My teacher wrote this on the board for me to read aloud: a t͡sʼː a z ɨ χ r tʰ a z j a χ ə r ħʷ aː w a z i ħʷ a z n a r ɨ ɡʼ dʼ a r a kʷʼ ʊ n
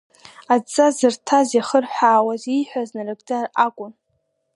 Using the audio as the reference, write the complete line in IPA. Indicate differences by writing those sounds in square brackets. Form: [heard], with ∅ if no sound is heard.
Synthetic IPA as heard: a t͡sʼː a z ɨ [∅] r tʰ a z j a χ ə r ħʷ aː w a z i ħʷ a z n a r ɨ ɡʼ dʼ a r a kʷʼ ʊ n

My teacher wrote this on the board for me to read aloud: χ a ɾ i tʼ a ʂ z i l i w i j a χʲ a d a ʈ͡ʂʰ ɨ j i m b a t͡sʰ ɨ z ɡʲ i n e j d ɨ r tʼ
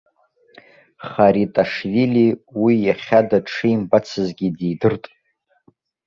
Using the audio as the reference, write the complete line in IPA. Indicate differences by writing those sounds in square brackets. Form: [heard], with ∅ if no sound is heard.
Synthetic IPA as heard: χ a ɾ i tʼ a ʂ [v] i l i w i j a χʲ a d a ʈ͡ʂʰ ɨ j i m b a t͡sʰ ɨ z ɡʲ i [d] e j d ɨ r tʼ

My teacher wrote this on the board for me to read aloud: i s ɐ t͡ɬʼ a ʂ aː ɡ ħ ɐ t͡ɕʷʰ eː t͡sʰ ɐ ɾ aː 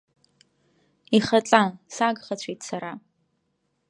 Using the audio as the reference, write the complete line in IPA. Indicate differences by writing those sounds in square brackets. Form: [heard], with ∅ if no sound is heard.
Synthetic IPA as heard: i [χ] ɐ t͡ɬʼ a [s] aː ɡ [χ] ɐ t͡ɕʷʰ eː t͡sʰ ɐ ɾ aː

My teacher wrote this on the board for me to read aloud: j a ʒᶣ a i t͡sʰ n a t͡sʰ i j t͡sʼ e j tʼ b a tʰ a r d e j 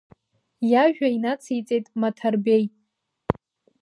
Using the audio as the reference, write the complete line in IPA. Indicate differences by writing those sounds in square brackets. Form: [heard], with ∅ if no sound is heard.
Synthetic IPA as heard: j a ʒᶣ a i [∅] n a t͡sʰ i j t͡sʼ e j tʼ [m] a tʰ a r [b] e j

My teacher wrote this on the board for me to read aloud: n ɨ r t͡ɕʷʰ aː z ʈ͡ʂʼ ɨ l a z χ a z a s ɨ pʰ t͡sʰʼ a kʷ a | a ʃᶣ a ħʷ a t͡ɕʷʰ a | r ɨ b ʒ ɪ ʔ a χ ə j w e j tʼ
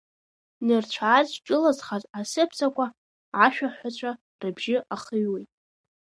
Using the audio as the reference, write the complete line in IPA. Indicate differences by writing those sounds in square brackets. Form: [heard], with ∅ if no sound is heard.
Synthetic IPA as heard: n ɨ r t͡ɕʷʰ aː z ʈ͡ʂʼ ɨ l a z χ a z a s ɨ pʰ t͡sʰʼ a kʷ a | a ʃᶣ a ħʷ a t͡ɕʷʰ a | r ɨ b ʒ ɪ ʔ a χ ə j w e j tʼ

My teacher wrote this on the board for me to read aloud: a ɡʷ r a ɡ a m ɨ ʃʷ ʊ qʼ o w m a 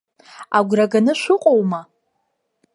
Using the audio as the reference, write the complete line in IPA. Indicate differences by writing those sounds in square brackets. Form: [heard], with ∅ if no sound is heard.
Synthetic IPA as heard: a ɡʷ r a ɡ a [n] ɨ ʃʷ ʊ qʼ o w m a

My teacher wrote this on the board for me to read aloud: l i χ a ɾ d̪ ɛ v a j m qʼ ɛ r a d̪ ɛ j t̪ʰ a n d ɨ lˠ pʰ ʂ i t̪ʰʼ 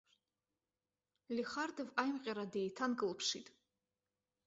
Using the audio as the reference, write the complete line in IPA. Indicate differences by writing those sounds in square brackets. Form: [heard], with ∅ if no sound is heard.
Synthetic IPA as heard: l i χ a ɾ d̪ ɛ v a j m qʼ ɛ [ɾ] a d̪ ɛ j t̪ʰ a n [ɡ] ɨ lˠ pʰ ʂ i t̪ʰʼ

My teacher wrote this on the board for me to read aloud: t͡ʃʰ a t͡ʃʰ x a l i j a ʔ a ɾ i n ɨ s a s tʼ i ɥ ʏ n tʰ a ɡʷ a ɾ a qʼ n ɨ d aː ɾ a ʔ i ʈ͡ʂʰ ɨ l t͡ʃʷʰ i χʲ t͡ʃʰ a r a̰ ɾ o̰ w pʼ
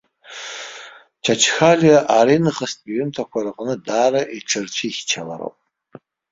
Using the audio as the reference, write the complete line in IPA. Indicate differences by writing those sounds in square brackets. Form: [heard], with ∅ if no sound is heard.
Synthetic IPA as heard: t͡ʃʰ a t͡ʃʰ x a l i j a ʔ a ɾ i n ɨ [χ] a s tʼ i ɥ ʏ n tʰ a [kʷ] a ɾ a qʼ n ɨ d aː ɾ a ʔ i ʈ͡ʂʰ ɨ [r] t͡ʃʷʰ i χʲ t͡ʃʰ a [l] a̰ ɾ o̰ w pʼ

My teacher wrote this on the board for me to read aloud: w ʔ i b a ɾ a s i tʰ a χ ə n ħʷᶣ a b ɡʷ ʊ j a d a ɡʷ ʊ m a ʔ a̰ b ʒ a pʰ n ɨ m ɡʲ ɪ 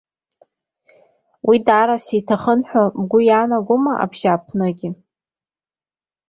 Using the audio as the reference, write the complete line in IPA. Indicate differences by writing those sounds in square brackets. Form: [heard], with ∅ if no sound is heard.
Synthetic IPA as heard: w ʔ i [d] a ɾ a s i tʰ a χ ə n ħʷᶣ a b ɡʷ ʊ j a [n] a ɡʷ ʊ m a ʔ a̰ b ʒ a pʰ n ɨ [∅] ɡʲ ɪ

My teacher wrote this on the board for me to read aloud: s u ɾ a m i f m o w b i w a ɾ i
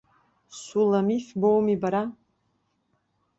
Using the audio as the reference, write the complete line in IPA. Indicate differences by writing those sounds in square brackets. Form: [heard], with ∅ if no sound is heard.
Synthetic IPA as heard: s u [l] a m i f [b] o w [m] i [b] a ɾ [a]

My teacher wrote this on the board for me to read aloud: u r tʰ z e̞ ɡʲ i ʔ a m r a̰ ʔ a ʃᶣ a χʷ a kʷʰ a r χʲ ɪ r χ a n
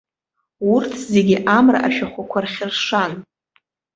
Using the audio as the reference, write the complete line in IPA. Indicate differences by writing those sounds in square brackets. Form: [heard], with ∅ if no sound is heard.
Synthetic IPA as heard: u r tʰ z e̞ ɡʲ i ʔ a m r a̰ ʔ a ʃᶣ a χʷ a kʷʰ a r χʲ ɪ r [ʂ] a n

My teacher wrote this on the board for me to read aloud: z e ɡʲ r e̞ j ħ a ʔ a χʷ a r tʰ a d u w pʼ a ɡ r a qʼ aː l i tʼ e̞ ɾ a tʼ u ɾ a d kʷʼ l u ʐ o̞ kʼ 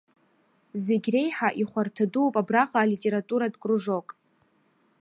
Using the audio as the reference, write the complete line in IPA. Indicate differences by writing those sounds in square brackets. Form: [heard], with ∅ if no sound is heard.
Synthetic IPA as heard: z e ɡʲ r e̞ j ħ a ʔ [i] χʷ a r tʰ a d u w pʼ a [b] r a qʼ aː l i tʼ e̞ ɾ a tʼ u ɾ a d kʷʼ [r] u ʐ o̞ kʼ

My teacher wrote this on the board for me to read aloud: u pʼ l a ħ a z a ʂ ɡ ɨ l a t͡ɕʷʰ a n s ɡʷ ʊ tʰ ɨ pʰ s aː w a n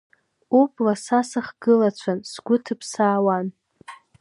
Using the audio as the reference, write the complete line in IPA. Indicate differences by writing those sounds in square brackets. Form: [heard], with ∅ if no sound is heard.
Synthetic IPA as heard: u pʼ l a [s] a [s] a [χ] ɡ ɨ l a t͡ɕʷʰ a n s ɡʷ ʊ tʰ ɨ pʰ s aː w a n

